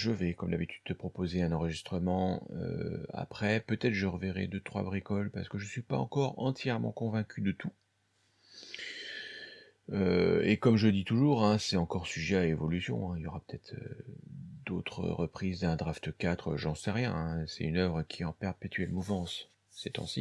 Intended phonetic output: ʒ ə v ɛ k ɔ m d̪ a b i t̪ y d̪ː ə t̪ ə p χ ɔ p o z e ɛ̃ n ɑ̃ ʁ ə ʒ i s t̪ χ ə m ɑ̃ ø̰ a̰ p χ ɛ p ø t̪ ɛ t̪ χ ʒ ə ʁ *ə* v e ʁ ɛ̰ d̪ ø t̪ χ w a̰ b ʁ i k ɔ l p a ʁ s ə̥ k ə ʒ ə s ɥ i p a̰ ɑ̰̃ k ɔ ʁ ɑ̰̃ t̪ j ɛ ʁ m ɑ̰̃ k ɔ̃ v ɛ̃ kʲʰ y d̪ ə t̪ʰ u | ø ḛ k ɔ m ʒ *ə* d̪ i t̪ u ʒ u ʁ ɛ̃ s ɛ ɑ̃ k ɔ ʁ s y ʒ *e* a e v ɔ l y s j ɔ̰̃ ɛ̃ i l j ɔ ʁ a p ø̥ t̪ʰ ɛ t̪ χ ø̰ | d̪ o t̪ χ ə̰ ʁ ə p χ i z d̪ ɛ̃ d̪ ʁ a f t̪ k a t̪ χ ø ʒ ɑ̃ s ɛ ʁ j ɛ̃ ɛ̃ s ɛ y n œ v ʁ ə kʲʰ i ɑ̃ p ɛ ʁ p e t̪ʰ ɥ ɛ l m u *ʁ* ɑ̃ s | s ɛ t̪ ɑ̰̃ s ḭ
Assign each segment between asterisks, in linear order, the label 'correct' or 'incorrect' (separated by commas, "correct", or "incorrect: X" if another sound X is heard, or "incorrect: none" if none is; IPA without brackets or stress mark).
correct, correct, incorrect: ɛ, incorrect: v